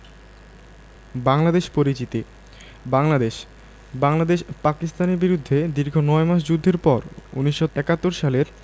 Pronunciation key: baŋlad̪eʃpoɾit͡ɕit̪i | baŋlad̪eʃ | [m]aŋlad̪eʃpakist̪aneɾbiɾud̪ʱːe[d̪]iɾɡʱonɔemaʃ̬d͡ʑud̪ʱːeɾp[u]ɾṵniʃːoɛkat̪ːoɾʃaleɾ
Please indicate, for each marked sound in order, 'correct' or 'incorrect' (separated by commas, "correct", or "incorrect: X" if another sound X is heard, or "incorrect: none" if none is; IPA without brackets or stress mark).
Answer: incorrect: b, correct, incorrect: ɔ